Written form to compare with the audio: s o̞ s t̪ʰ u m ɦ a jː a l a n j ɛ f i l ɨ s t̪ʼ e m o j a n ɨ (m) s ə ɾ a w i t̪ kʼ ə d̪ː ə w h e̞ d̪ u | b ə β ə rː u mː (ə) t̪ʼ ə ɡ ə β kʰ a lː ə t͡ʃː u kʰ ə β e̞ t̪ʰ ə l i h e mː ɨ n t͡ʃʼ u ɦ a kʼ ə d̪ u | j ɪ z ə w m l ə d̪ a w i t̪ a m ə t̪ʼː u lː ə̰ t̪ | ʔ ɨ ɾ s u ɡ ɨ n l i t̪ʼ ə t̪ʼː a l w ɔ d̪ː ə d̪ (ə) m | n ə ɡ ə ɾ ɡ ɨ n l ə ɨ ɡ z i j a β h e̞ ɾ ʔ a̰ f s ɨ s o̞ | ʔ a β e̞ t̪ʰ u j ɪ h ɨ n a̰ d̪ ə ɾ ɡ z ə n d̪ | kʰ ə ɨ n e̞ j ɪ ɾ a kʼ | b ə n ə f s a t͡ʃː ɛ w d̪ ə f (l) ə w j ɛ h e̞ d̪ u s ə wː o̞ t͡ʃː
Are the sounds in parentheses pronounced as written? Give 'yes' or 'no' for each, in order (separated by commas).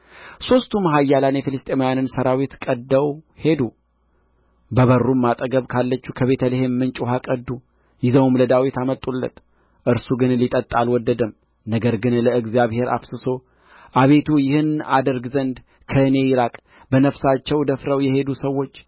no, no, yes, no